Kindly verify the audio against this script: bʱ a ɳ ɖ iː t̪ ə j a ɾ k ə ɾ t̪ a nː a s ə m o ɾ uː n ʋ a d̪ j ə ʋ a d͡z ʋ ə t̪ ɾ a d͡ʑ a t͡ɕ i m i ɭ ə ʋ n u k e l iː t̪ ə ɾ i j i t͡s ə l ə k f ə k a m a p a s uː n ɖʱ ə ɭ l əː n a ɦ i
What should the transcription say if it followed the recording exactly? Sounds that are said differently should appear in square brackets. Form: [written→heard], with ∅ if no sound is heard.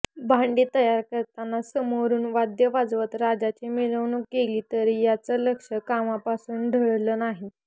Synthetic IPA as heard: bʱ a ɳ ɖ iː t̪ ə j a ɾ k ə ɾ t̪ a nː a s ə m o ɾ uː n ʋ a d̪ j ə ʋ a d͡z ʋ ə t̪ ɾ a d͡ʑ a t͡ɕ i m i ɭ ə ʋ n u k e l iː t̪ ə ɾ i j [i→a] t͡s ə l ə k [f→ʂ] ə k a m a p a s uː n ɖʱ ə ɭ l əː n a ɦ i

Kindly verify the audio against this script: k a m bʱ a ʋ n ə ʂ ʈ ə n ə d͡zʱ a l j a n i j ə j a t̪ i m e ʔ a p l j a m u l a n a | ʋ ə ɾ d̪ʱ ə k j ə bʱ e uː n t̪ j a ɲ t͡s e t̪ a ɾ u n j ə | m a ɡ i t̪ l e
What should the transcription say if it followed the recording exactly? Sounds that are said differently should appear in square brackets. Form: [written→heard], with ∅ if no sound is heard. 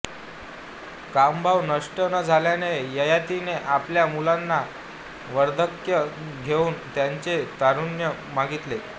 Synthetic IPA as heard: k a m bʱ a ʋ n ə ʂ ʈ ə n ə d͡zʱ a l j a n [i→e] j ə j a t̪ i [m→n] e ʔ a p l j a m u l a [n→nː] a | ʋ ə ɾ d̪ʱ ə k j ə [bʱ→ɡʱ] e uː n t̪ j a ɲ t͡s e t̪ a ɾ u n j ə | m a ɡ i t̪ l e

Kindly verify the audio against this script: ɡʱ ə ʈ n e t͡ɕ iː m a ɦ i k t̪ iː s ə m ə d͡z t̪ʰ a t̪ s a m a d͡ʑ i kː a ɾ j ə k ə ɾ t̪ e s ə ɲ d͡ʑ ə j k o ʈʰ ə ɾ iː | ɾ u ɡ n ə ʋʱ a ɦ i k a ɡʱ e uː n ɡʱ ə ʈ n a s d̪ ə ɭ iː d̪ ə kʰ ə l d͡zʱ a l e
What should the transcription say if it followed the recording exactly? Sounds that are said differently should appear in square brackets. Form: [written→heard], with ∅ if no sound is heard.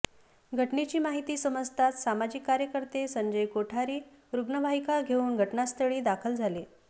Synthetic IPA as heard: ɡʱ ə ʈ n e t͡ɕ iː m a ɦ i [k→∅] t̪ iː s ə m ə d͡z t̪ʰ a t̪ s a m a d͡ʑ i kː a ɾ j ə k ə ɾ t̪ e s ə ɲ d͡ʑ ə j k o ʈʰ [ə→a] ɾ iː | ɾ u ɡ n ə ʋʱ a ɦ i k a ɡʱ e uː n ɡʱ ə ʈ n a s [d̪→t̪] ə ɭ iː d̪ [ə→a] kʰ ə l d͡zʱ a l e

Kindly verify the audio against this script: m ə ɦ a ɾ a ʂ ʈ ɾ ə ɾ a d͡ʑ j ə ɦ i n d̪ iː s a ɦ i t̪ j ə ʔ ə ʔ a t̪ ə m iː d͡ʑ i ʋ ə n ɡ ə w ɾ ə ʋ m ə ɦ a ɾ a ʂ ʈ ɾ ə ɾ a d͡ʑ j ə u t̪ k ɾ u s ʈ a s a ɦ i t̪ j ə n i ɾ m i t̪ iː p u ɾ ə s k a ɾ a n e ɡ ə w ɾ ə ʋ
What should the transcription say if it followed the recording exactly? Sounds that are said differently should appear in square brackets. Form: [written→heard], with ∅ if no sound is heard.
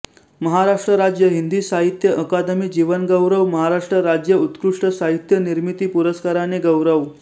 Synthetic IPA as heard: m ə ɦ a ɾ a ʂ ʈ ɾ ə ɾ a d͡ʑ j ə ɦ i n d̪ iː s a ɦ i t̪ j ə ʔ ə [ʔ→k] a [t̪→d̪] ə m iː d͡ʑ i ʋ ə n ɡ ə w ɾ ə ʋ m ə ɦ a ɾ a ʂ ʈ ɾ ə ɾ a d͡ʑ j ə u t̪ k ɾ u [s→ʂ] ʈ [a→ə] s a ɦ i t̪ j ə n i ɾ m i t̪ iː p u ɾ ə s k a ɾ a n e ɡ ə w ɾ ə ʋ

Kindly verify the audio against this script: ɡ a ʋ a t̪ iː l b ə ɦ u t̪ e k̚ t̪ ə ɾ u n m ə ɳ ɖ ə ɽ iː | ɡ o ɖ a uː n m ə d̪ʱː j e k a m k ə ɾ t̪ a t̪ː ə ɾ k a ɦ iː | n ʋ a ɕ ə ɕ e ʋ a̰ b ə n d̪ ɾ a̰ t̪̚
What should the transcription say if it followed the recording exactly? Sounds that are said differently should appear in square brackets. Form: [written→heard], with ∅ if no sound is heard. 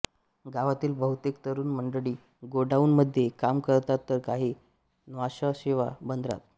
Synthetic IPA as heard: ɡ a ʋ a t̪ iː l b ə ɦ u t̪ e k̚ t̪ ə ɾ [u→uː] n m ə ɳ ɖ ə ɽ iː | ɡ o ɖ a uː n m ə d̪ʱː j e k a m k ə ɾ t̪ a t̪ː ə ɾ k a ɦ iː | n ʋ a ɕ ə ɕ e ʋ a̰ b ə n d̪ ɾ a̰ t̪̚

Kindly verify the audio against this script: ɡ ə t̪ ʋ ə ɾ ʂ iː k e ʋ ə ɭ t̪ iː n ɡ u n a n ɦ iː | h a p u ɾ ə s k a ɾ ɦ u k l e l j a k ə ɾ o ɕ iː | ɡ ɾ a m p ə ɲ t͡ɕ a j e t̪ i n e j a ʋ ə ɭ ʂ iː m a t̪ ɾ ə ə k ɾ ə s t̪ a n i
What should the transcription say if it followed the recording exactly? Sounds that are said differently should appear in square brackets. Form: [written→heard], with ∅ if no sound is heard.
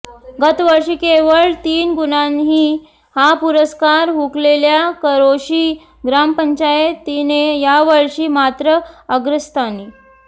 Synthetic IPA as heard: ɡ ə t̪ ʋ ə ɾ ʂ iː k e ʋ ə ɭ t̪ iː n ɡ u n a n ɦ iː | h a p u ɾ ə s k a ɾ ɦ u k l e l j a k ə ɾ o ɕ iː | ɡ ɾ a m p ə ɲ t͡ɕ a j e t̪ i n e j a ʋ ə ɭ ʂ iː m a t̪ ɾ ə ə [k→ɡ] ɾ ə s t̪ a n i

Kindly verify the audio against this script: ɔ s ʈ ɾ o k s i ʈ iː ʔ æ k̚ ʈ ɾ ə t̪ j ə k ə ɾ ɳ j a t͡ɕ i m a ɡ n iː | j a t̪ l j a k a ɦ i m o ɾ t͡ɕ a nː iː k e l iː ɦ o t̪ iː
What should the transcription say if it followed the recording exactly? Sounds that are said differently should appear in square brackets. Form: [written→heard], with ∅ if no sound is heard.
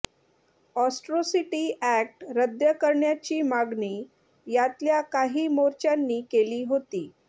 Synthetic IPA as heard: ɔ s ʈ ɾ o [k→∅] s i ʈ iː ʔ æ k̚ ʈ ɾ ə [t̪→d̪] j ə k ə ɾ ɳ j a t͡ɕ [i→iː] m a ɡ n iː | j a t̪ l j a k a ɦ [i→iː] m o ɾ t͡ɕ a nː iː k e l iː ɦ o t̪ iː

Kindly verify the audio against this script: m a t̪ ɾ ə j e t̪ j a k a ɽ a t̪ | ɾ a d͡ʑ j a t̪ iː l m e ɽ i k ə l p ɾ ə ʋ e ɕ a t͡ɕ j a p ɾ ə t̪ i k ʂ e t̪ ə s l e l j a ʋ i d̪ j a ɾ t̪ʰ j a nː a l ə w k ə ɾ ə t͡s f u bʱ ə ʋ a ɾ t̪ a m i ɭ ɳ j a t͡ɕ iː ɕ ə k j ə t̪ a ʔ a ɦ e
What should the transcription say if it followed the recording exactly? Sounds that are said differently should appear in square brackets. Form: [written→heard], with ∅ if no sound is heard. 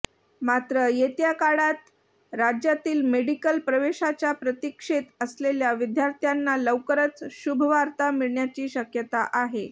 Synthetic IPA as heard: m a t̪ ɾ ə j e t̪ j a k a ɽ a t̪ | ɾ a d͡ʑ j a t̪ iː l m e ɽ i k ə l p ɾ ə ʋ e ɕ a t͡ɕ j a p ɾ ə t̪ i k ʂ e t̪ ə s l e l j a ʋ i d̪ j a ɾ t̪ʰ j a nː a l ə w k ə ɾ ə t͡s [f→ɕ] u bʱ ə ʋ a ɾ t̪ a m i ɭ ɳ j a t͡ɕ iː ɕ ə k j ə t̪ a ʔ a ɦ e

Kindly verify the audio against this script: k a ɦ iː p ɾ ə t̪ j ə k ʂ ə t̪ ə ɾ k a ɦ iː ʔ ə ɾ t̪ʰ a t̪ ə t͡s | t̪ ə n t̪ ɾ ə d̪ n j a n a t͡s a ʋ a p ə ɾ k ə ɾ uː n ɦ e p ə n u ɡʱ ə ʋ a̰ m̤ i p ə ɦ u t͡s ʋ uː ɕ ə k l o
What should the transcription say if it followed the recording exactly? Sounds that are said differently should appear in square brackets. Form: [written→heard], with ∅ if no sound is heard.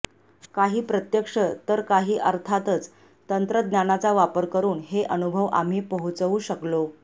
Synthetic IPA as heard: k a ɦ iː p ɾ ə t̪ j ə k ʂ ə t̪ ə ɾ k a ɦ iː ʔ ə ɾ t̪ʰ a t̪ ə t͡s | t̪ ə n t̪ ɾ ə d̪ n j a n a t͡s a ʋ a p ə ɾ k ə ɾ uː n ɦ e [p→ʔ] ə n u [ɡʱ→bʱ] ə ʋ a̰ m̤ [i→iː] p ə ɦ u t͡s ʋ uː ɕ ə k l o

